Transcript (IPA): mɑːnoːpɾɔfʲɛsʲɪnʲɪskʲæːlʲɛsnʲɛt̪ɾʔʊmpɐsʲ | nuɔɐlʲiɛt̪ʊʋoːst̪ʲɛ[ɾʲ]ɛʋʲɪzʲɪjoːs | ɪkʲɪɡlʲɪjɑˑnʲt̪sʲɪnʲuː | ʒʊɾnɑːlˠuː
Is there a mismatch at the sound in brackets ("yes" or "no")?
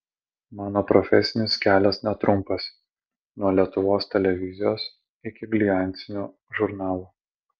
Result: yes